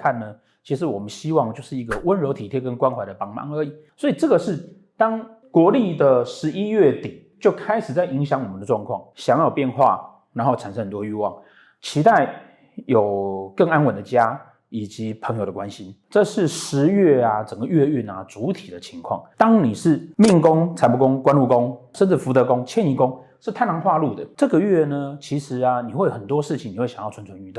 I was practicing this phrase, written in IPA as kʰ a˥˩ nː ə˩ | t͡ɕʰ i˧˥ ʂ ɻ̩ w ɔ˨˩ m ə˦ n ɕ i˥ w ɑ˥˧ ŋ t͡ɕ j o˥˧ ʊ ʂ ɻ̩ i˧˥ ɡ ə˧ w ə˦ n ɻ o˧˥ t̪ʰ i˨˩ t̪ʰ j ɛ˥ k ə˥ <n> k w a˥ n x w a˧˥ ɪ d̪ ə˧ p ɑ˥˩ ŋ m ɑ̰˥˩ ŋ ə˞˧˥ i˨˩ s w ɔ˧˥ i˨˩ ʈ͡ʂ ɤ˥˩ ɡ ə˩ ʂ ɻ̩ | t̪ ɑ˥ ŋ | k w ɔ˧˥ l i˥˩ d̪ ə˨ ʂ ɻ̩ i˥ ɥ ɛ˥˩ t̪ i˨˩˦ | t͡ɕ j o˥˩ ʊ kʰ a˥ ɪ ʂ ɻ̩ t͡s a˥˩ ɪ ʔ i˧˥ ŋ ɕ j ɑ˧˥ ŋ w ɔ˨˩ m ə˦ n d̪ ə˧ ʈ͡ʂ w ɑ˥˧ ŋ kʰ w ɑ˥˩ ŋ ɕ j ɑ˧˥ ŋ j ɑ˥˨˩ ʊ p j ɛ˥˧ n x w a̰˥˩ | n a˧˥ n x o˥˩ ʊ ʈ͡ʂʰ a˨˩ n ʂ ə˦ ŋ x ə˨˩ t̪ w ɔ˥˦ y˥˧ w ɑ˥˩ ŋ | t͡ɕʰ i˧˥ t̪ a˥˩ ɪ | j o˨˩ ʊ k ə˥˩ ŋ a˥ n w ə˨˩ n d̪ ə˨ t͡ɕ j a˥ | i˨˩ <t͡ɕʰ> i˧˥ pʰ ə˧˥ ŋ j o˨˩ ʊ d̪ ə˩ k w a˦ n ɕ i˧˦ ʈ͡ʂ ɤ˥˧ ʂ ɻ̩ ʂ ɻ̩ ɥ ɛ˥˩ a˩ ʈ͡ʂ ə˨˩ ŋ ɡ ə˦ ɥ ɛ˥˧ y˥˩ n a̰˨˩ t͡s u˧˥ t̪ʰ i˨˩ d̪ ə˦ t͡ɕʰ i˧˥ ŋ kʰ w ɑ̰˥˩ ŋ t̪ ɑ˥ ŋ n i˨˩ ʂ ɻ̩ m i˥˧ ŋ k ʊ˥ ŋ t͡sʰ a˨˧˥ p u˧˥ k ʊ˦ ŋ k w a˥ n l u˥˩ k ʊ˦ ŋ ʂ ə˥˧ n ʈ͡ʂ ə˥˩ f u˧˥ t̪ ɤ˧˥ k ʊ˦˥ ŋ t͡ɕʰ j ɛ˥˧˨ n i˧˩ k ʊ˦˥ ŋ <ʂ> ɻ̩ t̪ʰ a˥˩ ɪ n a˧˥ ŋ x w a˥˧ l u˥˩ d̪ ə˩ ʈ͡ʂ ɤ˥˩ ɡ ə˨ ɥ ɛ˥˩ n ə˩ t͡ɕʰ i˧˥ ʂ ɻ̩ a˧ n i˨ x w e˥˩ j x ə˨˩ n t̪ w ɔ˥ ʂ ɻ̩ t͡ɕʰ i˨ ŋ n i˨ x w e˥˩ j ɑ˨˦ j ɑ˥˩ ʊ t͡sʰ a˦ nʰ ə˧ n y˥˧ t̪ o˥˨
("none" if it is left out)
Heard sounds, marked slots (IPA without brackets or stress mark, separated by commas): n, t͡ɕ, ʂ